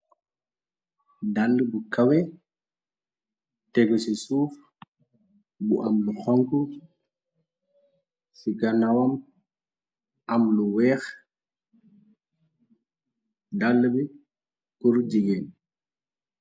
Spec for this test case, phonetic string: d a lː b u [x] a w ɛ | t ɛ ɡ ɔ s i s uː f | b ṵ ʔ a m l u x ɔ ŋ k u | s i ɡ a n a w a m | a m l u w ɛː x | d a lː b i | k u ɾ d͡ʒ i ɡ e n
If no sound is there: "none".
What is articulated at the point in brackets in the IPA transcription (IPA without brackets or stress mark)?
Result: k